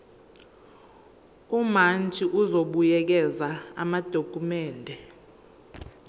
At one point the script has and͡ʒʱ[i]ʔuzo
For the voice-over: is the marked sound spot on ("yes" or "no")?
yes